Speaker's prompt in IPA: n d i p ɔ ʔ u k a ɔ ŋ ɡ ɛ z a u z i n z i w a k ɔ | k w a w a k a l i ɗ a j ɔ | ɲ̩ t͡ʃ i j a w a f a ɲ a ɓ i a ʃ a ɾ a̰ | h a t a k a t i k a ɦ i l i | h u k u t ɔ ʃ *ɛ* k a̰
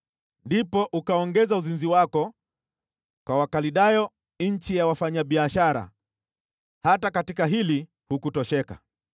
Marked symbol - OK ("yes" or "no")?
yes